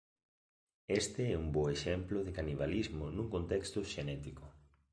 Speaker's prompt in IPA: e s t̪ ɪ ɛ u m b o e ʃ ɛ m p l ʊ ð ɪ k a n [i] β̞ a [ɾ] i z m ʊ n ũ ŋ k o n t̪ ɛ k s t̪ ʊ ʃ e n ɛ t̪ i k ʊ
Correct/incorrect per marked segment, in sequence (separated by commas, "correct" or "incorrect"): correct, incorrect